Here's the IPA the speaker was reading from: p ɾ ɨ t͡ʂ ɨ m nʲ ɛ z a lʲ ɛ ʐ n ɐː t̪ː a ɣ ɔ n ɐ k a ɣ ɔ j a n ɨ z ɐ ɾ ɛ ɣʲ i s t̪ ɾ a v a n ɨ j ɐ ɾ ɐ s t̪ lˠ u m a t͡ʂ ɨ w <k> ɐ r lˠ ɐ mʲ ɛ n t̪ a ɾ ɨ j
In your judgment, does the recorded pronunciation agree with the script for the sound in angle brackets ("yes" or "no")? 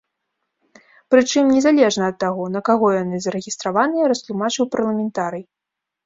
no